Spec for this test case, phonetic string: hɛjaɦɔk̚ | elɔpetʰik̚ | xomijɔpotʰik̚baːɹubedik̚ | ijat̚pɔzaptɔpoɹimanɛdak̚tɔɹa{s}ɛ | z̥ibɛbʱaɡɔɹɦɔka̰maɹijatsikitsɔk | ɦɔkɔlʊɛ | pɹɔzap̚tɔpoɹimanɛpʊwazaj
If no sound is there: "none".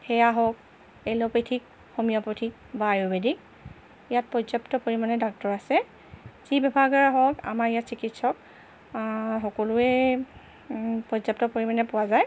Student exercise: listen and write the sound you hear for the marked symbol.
s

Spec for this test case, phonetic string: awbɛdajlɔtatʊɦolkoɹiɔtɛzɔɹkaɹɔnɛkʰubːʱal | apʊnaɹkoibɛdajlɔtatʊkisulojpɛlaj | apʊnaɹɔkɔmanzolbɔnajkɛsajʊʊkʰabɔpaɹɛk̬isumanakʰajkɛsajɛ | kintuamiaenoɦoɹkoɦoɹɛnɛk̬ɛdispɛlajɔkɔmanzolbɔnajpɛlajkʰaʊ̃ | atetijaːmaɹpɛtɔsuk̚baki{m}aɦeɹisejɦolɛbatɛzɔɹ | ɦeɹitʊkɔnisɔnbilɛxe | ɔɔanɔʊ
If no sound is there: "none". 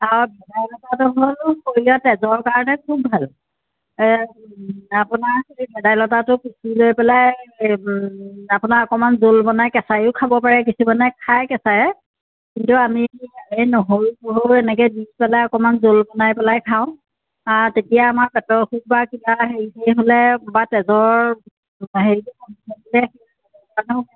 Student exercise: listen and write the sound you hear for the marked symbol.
b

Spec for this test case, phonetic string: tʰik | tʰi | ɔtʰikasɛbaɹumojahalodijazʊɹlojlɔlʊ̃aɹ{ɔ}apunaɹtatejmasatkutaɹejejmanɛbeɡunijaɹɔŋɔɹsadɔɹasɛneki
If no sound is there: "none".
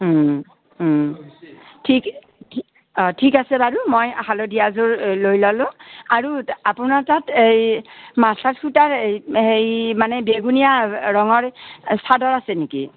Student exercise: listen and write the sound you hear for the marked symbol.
u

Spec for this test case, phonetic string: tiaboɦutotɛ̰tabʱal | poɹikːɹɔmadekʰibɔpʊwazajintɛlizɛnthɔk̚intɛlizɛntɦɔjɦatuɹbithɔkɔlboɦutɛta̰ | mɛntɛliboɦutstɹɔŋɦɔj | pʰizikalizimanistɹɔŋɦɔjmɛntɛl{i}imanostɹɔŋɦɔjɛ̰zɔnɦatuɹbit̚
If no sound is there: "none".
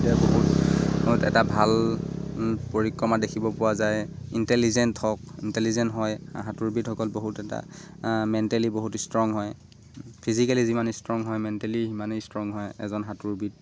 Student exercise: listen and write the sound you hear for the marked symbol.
i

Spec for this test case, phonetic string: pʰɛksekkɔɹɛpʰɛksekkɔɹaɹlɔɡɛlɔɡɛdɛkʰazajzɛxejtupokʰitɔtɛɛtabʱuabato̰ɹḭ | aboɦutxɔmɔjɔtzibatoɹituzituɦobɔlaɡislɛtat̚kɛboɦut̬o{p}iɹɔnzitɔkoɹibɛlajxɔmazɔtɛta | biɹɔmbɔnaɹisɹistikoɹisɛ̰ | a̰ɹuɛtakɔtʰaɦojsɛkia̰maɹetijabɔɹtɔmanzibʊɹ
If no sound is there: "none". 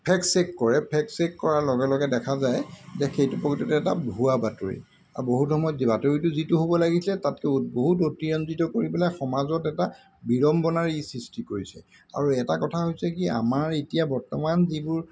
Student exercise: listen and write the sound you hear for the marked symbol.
t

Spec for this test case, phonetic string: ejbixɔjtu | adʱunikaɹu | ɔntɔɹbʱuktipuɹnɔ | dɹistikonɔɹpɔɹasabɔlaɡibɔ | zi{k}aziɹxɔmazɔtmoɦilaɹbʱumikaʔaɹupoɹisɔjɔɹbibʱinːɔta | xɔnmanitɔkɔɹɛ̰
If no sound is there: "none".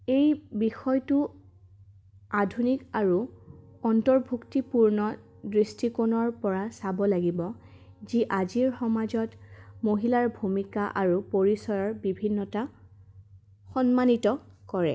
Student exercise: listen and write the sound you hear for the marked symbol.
ʔ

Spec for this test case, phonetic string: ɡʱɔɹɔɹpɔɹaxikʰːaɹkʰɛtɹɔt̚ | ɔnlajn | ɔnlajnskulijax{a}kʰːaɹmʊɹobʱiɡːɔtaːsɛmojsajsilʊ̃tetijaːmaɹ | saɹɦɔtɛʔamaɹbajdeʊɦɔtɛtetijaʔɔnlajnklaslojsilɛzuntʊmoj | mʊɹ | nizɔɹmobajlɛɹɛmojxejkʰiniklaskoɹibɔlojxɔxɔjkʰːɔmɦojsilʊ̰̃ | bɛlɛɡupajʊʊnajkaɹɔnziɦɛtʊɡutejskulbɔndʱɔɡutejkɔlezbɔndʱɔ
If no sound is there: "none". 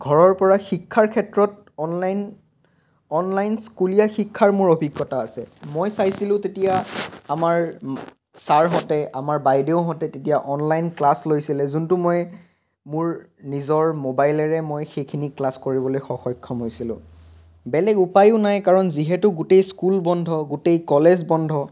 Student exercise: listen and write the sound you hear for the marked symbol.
i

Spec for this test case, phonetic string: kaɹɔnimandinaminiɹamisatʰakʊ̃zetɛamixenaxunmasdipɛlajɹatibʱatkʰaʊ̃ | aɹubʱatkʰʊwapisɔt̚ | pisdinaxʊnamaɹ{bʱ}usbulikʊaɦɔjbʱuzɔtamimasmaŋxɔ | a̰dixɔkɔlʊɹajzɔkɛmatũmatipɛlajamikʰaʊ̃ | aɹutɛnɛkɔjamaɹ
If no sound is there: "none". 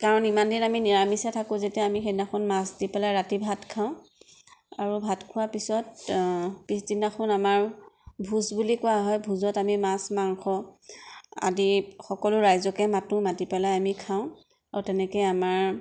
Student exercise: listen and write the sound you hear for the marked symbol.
bʱ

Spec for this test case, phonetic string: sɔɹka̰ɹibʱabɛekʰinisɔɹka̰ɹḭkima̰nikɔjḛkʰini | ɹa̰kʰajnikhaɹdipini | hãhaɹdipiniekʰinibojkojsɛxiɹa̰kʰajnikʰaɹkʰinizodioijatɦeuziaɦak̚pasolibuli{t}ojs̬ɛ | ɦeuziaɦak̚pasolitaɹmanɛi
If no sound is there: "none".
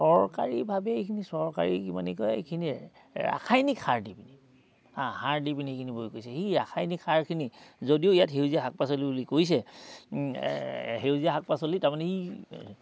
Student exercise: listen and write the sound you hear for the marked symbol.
k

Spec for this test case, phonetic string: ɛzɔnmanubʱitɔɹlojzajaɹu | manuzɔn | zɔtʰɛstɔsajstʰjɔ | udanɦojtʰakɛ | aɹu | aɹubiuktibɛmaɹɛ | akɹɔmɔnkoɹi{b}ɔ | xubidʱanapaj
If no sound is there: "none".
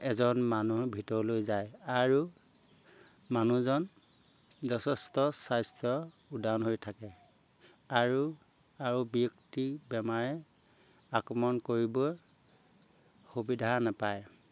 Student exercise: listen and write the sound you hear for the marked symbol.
b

